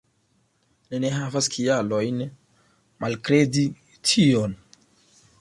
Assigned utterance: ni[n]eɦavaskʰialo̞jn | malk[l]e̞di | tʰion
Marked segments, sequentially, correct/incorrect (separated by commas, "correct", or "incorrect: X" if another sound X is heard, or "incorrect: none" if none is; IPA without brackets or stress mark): correct, incorrect: ɾ